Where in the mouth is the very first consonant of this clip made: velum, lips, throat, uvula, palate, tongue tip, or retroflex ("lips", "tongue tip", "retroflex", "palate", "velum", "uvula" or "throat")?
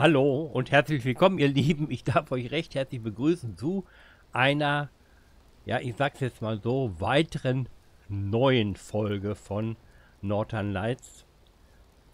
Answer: throat